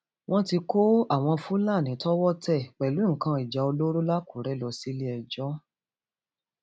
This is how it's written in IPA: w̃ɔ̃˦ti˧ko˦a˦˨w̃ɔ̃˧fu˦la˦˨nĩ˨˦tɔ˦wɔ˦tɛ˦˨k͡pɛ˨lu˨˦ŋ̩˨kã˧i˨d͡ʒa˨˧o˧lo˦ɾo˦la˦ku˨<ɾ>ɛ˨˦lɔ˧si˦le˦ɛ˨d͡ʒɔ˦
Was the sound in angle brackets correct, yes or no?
yes